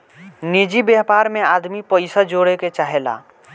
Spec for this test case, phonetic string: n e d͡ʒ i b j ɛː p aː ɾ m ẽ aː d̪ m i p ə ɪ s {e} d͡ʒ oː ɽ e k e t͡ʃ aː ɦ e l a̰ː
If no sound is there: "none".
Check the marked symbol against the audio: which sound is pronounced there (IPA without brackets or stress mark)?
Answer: a